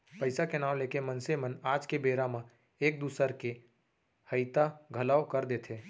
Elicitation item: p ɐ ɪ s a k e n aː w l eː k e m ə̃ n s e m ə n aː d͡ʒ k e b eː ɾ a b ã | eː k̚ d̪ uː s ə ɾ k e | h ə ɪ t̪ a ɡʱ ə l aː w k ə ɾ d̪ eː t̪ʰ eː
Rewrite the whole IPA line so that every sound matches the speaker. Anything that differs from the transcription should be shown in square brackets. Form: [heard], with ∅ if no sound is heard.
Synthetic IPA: p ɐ ɪ s a k e n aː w l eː k e m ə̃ n s e m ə n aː d͡ʒ k e b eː ɾ a [m] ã | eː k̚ d̪ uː s ə ɾ k e | h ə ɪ t̪ a ɡʱ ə l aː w k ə ɾ d̪ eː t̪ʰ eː